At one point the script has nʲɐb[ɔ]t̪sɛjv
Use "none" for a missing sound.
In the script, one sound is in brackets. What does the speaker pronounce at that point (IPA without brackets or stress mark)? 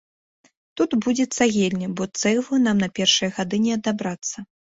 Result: ɔ